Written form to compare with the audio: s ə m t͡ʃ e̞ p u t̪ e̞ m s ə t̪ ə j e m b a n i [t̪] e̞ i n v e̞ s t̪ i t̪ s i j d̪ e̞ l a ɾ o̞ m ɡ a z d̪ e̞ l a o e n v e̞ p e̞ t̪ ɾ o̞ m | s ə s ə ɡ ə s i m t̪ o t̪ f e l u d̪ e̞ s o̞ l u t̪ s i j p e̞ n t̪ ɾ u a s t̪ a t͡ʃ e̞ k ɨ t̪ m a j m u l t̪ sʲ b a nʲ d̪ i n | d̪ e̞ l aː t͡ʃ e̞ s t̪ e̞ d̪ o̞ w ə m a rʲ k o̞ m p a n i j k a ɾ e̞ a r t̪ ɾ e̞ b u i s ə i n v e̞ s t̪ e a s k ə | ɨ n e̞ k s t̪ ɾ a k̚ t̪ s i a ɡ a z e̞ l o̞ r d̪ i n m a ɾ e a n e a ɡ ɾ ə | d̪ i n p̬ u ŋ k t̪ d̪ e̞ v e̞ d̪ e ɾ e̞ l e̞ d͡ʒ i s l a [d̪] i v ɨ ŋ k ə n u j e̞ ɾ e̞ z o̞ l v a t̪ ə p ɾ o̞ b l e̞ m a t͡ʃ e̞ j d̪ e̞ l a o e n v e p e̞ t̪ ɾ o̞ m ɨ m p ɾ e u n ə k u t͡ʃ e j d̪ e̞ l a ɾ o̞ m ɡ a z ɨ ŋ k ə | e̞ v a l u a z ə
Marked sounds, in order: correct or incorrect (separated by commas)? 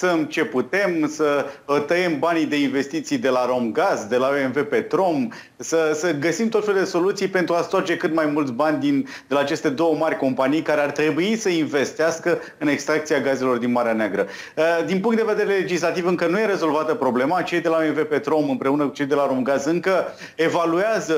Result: incorrect, incorrect